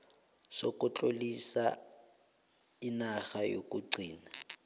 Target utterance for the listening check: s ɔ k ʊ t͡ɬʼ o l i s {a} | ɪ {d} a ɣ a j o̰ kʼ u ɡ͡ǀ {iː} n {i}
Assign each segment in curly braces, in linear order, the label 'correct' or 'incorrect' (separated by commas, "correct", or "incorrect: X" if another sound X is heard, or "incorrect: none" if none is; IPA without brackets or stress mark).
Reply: correct, incorrect: n, correct, incorrect: a